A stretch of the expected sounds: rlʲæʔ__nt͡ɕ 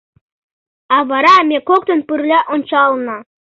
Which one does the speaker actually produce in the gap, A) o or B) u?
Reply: A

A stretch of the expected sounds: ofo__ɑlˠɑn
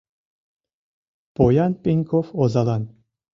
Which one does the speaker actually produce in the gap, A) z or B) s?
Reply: A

